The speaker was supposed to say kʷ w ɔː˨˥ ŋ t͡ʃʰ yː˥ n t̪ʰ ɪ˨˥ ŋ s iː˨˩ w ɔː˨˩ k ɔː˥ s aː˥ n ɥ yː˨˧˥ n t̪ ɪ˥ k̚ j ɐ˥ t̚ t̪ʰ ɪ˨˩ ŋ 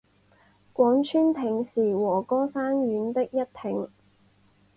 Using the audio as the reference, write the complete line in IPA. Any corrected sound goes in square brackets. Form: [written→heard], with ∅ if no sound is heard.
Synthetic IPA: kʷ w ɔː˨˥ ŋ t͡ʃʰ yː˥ n t̪ʰ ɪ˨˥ ŋ s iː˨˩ w ɔː˨˩ k ɔː˥ s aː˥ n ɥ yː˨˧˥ n t̪ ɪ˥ k̚ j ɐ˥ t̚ t̪ʰ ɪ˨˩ ŋ

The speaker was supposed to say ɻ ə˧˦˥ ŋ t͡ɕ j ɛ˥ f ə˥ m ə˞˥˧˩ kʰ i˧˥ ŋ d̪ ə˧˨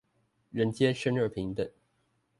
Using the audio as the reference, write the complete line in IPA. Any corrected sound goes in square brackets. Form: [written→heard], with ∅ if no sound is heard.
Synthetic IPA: ɻ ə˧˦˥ [ŋ→n] t͡ɕ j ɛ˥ [f→ʂ] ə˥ [m→n] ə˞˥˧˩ [kʰ→pʰ] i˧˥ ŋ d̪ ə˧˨

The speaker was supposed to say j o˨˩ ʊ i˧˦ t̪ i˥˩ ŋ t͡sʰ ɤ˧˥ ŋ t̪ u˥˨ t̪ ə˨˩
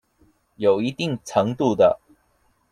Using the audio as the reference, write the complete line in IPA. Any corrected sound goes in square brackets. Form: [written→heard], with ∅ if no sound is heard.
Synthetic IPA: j o˨˩ ʊ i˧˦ t̪ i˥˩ ŋ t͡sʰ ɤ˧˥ ŋ t̪ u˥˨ [t̪→d̪] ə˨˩

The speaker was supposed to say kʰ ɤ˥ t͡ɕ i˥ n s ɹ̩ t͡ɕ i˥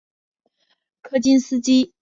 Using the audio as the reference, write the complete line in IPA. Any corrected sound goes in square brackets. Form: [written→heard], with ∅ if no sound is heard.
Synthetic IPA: kʰ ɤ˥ t͡ɕ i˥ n s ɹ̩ t͡ɕ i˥

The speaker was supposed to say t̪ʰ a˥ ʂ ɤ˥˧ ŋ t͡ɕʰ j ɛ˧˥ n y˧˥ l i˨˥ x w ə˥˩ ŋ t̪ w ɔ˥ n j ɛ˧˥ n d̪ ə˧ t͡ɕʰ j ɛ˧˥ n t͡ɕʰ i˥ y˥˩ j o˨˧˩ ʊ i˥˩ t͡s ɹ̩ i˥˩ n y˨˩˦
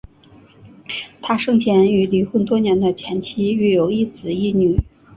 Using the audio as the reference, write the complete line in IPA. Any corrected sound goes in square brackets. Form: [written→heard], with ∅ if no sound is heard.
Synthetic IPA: t̪ʰ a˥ ʂ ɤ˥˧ ŋ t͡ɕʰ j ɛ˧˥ n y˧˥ l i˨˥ x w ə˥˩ [ŋ→n] t̪ w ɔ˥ n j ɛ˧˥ n d̪ ə˧ t͡ɕʰ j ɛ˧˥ n t͡ɕʰ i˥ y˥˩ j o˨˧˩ ʊ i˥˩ t͡s ɹ̩ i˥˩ n y˨˩˦

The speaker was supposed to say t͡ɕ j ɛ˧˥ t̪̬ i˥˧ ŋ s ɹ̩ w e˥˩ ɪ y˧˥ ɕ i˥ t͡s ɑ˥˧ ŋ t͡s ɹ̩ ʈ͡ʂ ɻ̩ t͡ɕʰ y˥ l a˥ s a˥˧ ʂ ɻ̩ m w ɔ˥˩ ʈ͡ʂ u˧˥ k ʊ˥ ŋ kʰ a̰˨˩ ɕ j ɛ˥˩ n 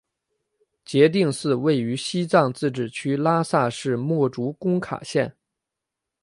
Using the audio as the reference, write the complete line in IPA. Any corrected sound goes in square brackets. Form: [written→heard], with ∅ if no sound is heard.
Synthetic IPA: t͡ɕ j ɛ˧˥ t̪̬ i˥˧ ŋ s ɹ̩ w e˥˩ ɪ y˧˥ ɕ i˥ t͡s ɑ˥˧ ŋ t͡s ɹ̩ ʈ͡ʂ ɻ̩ t͡ɕʰ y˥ l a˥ s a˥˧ ʂ ɻ̩ m w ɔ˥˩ ʈ͡ʂ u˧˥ k ʊ˥ ŋ kʰ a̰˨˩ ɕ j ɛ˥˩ n

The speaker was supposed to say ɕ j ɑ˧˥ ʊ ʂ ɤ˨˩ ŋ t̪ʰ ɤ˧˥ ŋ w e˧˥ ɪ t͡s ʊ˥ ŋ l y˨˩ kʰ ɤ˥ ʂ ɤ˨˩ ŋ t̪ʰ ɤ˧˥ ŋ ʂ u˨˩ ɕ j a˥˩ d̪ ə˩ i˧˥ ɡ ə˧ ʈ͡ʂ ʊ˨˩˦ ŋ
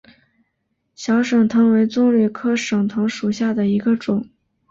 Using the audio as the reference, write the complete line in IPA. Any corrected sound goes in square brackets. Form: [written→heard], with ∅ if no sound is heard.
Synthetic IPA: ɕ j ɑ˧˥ ʊ ʂ ɤ˨˩ ŋ t̪ʰ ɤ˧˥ ŋ w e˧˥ ɪ t͡s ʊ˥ ŋ l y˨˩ kʰ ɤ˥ ʂ ɤ˨˩ ŋ t̪ʰ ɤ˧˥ ŋ ʂ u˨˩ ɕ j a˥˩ d̪ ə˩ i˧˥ ɡ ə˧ ʈ͡ʂ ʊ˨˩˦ ŋ

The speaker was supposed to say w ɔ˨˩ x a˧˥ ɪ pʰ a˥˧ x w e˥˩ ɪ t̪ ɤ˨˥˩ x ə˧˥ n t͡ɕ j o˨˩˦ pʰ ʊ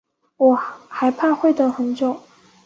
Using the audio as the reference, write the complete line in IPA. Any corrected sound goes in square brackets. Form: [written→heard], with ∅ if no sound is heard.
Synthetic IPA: w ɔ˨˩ x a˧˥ ɪ pʰ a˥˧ x w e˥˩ ɪ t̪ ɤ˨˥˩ x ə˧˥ n t͡ɕ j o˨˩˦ [pʰ→∅] ʊ

